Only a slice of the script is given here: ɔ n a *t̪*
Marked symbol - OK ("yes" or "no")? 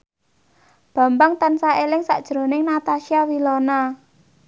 no